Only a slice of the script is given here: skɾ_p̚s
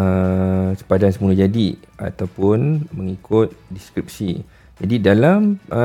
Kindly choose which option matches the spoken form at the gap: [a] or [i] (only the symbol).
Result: i